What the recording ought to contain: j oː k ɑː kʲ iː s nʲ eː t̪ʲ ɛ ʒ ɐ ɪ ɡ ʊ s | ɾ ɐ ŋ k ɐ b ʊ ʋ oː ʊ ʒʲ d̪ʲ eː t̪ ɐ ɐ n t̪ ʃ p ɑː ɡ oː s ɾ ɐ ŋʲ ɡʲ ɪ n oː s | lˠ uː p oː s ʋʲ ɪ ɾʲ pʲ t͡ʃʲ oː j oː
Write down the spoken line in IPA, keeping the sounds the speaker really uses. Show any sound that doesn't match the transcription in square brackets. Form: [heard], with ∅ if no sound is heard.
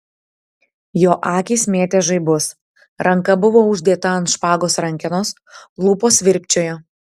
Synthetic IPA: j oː [ʔ] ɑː kʲ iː s [mʲ] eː t̪ʲ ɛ ʒ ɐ ɪ [b] ʊ s | ɾ ɐ ŋ k ɐ b ʊ ʋ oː ʊ ʒʲ d̪ʲ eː t̪ ɐ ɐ n t̪ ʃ p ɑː ɡ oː s ɾ ɐ ŋʲ [kʲ] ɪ n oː s | lˠ uː p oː s ʋʲ ɪ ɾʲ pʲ t͡ʃʲ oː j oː